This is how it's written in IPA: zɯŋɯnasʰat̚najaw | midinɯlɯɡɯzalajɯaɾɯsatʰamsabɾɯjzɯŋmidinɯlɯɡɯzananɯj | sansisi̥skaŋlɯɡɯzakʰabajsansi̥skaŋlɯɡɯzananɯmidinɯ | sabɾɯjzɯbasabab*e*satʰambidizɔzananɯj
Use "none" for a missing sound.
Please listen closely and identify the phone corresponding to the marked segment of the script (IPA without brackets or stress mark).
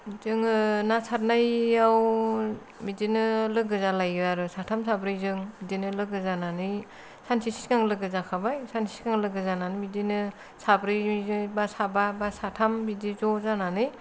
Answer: a